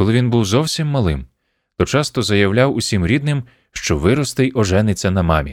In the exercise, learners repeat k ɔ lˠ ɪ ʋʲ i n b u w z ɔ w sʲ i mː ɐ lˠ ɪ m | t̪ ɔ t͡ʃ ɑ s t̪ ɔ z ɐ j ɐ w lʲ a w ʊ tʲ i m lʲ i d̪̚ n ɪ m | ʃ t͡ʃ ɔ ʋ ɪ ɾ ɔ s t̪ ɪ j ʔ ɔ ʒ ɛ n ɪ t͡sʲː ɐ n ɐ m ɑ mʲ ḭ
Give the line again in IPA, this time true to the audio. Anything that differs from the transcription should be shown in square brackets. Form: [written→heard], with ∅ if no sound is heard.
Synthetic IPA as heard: k ɔ lˠ ɪ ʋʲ i n b u w z ɔ w sʲ i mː ɐ lˠ ɪ m | t̪ ɔ t͡ʃ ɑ s t̪ ɔ z ɐ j ɐ w lʲ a w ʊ [tʲ→sʲ] i m [lʲ→ɾʲ] i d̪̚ n ɪ m | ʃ t͡ʃ ɔ ʋ ɪ ɾ ɔ s t̪ ɪ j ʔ ɔ ʒ ɛ n ɪ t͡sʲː ɐ n ɐ m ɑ mʲ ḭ